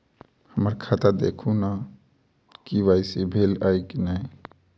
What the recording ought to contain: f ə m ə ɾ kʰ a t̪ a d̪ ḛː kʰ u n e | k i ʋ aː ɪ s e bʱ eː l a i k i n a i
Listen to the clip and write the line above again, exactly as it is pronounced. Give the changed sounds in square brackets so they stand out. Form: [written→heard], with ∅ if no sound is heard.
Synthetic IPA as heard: [f→h] ə m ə ɾ kʰ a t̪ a d̪ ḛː kʰ u n [e→a] | k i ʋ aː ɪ s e bʱ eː l a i k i n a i